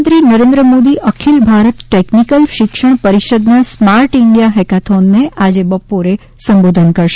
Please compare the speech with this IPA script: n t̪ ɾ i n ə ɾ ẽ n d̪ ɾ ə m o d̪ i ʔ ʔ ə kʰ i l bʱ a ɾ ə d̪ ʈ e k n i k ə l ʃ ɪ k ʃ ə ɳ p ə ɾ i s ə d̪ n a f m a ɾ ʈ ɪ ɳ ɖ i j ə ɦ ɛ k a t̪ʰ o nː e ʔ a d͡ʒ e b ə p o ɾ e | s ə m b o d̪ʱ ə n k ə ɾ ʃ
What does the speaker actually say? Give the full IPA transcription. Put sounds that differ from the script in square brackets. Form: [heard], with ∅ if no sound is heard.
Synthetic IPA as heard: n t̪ ɾ i n ə ɾ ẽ n d̪ ɾ ə m o d̪ i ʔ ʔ ə kʰ i l bʱ a ɾ ə [t̪] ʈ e k n i k ə l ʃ ɪ k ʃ ə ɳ p ə ɾ i [ʃ] ə d̪ n a [s] m a ɾ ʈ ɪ ɳ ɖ i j [a] ɦ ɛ k a t̪ʰ o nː e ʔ a d͡ʒ e b ə p o ɾ e | s ə m b o d̪ʱ ə n k ə ɾ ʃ